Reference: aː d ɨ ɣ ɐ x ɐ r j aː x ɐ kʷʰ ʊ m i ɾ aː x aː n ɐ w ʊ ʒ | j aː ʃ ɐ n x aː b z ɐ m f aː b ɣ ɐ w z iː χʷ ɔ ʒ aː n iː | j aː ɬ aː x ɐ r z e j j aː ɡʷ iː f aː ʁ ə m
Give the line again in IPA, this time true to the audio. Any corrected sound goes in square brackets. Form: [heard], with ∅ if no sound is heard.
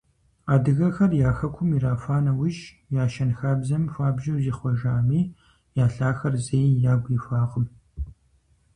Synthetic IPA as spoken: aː d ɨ ɣ ɐ x ɐ r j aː x ɐ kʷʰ ʊ m i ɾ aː [f] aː n ɐ w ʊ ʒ | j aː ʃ ɐ n x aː b z ɐ m f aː b [ʒ] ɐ w z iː χʷ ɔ ʒ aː [m] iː | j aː ɬ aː x ɐ r z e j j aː ɡʷ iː f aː ʁ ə m

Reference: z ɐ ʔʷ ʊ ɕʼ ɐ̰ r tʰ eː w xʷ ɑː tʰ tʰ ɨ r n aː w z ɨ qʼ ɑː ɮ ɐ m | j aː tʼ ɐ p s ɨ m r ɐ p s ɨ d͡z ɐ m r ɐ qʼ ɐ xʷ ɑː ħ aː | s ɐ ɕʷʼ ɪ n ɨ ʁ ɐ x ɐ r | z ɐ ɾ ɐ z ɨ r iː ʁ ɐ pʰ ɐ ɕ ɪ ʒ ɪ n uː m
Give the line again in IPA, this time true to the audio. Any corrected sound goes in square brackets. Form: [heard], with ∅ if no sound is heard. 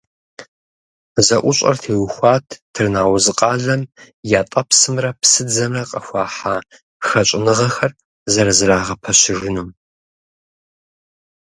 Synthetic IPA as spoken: z ɐ ʔʷ ʊ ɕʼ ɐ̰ r tʰ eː w xʷ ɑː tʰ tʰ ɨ r n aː w z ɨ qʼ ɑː ɮ ɐ m | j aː tʼ ɐ p s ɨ m r ɐ p s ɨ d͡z ɐ m r ɐ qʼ ɐ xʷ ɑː ħ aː | [x] ɐ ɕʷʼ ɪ n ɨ ʁ ɐ x ɐ r | z ɐ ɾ ɐ z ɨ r [aː] ʁ ɐ pʰ ɐ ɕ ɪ ʒ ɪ n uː m

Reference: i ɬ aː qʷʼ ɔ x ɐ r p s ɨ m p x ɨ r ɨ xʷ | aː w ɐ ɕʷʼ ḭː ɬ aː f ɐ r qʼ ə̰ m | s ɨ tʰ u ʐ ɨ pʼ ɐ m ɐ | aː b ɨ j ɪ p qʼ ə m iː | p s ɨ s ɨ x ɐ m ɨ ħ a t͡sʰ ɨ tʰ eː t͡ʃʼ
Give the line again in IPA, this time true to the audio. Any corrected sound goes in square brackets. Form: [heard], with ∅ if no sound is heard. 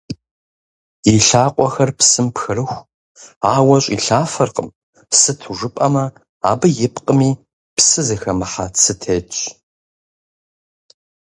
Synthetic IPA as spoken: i ɬ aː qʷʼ ɔ x ɐ r p s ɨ m p x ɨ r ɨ xʷ | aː w ɐ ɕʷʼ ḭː ɬ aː f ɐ r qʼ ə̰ m | s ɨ tʰ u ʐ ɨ pʼ ɐ m ɐ | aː b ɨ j ɪ p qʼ ə m iː | p s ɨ [z] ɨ x ɐ m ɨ ħ a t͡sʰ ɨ tʰ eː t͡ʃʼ

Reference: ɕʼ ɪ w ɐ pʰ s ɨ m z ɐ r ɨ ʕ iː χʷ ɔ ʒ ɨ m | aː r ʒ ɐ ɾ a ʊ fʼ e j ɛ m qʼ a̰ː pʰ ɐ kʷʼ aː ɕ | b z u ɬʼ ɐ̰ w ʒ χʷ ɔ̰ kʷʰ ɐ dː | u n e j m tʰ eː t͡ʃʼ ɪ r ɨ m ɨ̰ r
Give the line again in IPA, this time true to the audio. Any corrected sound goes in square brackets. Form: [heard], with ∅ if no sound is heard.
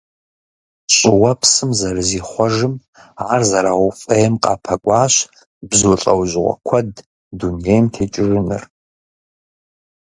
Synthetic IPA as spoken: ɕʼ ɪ w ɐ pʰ s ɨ m z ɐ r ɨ [z] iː χʷ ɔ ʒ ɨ m | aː r [z] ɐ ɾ a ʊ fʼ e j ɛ m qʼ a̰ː pʰ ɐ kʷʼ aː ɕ | b z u ɬʼ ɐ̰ w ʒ [ʁʷ] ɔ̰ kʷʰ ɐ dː | u n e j m tʰ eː t͡ʃʼ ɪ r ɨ [n] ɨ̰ r

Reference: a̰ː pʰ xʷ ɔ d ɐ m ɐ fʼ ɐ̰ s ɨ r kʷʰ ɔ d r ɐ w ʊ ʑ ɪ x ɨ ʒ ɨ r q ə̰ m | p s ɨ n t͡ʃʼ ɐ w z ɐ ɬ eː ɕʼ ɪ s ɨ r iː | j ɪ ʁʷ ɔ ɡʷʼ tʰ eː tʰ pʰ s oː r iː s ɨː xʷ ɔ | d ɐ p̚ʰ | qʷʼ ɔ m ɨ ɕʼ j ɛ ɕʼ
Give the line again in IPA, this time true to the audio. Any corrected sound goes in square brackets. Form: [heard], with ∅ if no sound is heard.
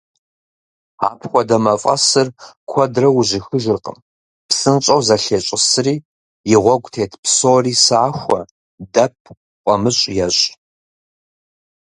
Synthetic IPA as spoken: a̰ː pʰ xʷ ɔ d ɐ m ɐ fʼ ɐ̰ s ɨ r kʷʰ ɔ d r ɐ w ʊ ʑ ɪ x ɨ ʒ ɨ r q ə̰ m | p s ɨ n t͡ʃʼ ɐ w z ɐ ɬ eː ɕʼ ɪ s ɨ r iː | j ɪ ʁʷ ɔ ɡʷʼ tʰ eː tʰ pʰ s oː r iː s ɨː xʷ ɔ | d ɐ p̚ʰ | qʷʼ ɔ m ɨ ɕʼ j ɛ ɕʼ

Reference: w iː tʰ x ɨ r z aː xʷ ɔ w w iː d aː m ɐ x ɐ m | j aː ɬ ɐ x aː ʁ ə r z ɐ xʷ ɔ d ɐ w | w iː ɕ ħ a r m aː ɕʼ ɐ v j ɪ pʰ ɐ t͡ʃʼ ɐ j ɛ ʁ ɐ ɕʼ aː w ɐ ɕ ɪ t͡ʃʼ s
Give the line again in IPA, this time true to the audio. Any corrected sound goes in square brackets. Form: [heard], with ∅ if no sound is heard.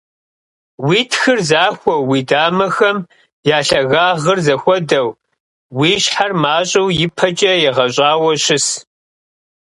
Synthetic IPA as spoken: w iː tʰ x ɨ r z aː xʷ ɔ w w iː d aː m ɐ x ɐ m | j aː ɬ ɐ [ɣ] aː ʁ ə r z ɐ xʷ ɔ d ɐ w | w iː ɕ ħ a r m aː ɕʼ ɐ [w] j ɪ pʰ ɐ t͡ʃʼ ɐ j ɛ ʁ ɐ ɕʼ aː w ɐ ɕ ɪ [∅] s

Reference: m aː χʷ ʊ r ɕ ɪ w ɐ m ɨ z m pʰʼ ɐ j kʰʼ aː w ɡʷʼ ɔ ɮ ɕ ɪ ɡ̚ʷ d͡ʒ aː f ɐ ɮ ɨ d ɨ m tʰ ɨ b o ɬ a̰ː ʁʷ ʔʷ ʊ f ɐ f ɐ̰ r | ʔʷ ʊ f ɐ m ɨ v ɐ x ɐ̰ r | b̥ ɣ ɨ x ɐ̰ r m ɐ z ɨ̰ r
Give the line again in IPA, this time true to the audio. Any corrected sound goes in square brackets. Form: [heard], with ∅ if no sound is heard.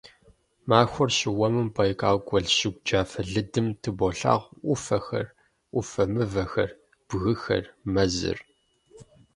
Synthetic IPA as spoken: m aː [xʷ] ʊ r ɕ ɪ w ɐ m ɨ [∅] m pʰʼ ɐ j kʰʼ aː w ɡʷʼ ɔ ɮ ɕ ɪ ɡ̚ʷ d͡ʒ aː f ɐ ɮ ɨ d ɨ m tʰ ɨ b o ɬ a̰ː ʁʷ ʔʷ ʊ f ɐ [x] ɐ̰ r | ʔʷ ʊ f ɐ m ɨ v ɐ x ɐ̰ r | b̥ ɣ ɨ x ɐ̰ r m ɐ z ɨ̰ r

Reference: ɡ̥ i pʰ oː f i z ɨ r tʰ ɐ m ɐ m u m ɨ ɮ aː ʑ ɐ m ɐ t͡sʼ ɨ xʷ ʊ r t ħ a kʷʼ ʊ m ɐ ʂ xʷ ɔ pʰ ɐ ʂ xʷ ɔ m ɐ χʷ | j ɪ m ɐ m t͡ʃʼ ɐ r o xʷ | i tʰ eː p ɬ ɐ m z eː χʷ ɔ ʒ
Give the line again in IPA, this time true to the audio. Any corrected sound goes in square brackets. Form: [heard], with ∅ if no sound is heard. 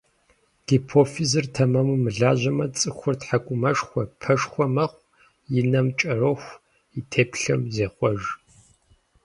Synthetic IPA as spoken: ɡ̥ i pʰ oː f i z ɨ r tʰ ɐ m ɐ m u m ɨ ɮ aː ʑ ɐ m ɐ t͡sʼ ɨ xʷ ʊ r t ħ a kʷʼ ʊ m ɐ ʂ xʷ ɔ pʰ ɐ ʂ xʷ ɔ m ɐ χʷ | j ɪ [n] ɐ m t͡ʃʼ ɐ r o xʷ | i tʰ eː p ɬ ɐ m z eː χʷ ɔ ʒ

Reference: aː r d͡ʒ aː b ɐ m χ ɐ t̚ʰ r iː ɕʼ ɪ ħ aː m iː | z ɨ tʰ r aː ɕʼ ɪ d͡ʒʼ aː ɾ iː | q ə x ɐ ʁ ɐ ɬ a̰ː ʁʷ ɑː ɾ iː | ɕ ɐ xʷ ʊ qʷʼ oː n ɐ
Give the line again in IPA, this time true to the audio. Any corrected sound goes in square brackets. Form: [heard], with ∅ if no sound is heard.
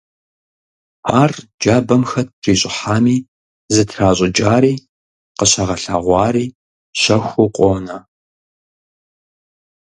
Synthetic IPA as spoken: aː r d͡ʒ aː b ɐ m [x] ɐ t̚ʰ r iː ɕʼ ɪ ħ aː m iː | z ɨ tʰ r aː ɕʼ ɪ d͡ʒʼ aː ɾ iː | q ə [ɕ] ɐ ʁ ɐ ɬ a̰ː ʁʷ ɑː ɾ iː | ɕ ɐ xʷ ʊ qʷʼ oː n ɐ

